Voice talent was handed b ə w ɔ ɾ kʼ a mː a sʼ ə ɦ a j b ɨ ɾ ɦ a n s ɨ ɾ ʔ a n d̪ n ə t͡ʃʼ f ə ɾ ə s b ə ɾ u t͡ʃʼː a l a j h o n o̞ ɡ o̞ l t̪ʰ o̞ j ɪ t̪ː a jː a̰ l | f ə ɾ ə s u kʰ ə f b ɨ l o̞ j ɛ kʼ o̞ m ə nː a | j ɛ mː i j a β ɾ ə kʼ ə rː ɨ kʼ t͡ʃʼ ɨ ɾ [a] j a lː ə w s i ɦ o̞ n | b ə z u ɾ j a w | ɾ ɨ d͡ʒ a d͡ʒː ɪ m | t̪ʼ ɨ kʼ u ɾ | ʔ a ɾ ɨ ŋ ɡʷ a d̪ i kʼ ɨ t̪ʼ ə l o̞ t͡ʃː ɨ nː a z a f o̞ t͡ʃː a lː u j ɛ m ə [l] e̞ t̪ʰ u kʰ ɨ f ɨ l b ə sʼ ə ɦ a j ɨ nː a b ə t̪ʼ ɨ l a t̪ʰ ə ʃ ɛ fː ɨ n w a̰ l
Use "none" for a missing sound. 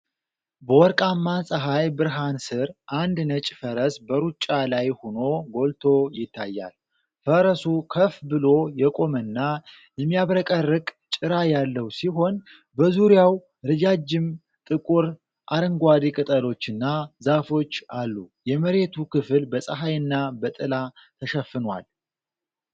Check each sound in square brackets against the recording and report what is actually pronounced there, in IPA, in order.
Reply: a, ɾ

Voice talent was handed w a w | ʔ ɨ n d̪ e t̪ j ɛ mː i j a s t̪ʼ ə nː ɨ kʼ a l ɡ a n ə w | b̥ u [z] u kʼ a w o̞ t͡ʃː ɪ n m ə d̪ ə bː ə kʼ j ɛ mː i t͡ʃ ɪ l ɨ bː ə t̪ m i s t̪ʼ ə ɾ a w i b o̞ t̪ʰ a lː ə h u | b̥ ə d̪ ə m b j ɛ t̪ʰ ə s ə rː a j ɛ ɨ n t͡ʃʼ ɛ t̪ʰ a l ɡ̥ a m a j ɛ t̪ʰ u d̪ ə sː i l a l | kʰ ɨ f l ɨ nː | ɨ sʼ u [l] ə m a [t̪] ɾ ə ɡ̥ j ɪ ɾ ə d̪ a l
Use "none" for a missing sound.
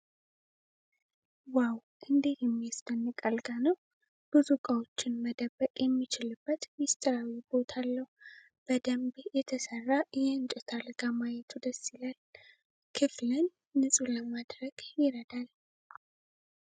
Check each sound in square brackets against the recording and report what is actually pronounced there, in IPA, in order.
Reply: z, l, d̪

